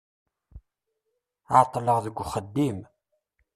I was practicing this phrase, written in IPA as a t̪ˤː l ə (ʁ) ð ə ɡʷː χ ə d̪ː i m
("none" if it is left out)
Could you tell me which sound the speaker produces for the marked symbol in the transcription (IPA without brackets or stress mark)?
ʁ